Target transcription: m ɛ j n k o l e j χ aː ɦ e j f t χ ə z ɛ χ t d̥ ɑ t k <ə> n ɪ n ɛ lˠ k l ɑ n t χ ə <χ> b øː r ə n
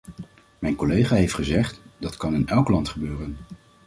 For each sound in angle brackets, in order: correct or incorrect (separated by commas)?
incorrect, incorrect